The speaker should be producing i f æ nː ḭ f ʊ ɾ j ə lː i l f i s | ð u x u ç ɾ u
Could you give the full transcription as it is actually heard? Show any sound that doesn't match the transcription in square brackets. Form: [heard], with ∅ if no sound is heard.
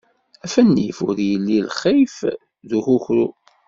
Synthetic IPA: [æ] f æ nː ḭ f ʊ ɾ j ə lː i l [χ] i [f] | ð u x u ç ɾ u